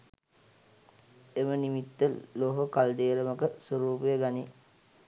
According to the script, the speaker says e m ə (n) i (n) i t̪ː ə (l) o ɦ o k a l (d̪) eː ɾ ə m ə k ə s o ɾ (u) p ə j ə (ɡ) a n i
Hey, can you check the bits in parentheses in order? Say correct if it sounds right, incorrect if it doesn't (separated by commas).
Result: correct, incorrect, correct, correct, incorrect, correct